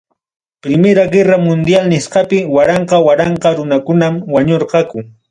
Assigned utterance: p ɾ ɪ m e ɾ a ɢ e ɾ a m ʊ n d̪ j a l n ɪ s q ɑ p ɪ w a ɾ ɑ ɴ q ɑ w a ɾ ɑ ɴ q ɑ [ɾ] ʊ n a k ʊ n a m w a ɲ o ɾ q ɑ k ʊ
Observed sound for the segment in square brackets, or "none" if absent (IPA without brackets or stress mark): ɾ